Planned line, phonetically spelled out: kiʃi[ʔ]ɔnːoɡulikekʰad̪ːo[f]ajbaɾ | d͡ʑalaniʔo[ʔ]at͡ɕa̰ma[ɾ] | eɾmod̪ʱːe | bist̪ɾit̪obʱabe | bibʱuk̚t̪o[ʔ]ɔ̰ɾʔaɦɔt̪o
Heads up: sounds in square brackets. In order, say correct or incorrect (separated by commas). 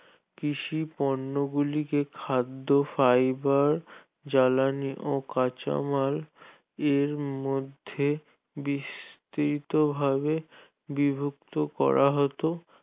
incorrect, correct, incorrect, incorrect, incorrect